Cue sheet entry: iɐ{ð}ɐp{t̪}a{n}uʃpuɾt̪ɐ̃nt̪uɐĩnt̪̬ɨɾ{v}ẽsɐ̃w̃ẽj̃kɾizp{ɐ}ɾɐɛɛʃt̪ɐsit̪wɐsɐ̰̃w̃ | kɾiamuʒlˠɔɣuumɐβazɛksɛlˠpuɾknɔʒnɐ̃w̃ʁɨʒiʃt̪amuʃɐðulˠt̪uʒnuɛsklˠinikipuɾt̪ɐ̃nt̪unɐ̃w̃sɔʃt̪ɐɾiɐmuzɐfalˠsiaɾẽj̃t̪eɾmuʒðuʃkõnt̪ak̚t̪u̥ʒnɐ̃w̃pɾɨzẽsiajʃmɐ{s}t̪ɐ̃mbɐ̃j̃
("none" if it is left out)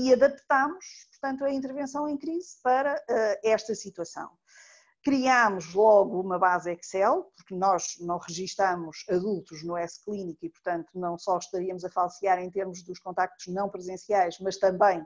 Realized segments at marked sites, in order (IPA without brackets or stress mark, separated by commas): ð, t̪, m, v, ɐ, ʃ